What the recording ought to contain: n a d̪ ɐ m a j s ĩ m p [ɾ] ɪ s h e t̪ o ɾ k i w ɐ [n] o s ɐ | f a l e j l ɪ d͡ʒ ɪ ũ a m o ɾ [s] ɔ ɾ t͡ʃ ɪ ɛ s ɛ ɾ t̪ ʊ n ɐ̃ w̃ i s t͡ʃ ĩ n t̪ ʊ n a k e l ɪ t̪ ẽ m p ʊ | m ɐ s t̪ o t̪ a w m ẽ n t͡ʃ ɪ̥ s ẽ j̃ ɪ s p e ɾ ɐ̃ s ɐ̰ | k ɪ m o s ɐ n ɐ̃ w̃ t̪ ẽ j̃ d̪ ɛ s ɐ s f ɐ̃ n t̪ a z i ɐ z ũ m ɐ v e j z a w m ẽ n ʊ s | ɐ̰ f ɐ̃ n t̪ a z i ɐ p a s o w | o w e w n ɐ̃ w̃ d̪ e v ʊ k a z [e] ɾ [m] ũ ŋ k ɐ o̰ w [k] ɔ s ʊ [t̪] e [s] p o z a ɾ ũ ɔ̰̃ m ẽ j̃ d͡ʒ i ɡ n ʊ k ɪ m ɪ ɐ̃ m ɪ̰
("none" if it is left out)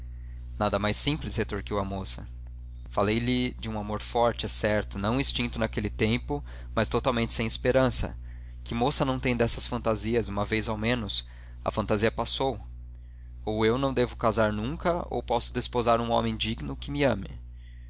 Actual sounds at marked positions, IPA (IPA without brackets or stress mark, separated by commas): l, m, f, a, n, p, d̪, s